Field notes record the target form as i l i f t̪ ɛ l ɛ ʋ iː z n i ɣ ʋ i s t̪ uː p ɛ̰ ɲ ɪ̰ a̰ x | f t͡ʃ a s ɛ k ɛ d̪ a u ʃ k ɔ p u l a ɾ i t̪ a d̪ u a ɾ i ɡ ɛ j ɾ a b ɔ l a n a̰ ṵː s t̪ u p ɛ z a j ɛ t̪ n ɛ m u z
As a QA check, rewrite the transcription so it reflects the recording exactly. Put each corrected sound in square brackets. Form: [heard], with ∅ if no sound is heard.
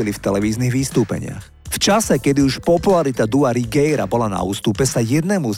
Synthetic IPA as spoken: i l i f t̪ ɛ l ɛ ʋ iː z n i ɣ ʋ i s t̪ uː p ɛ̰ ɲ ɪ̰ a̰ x | f t͡ʃ a s ɛ k ɛ d̪ [i] u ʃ [p] ɔ p u l a ɾ i t̪ a d̪ u a ɾ i ɡ ɛ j ɾ a b ɔ l a n a̰ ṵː s t̪ u p ɛ [s] a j ɛ [d̪] n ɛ m u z